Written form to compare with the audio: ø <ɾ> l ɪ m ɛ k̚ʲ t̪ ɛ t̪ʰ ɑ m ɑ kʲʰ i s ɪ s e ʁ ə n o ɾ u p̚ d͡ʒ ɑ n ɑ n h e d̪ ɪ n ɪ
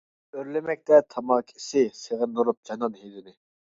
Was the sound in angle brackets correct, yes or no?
yes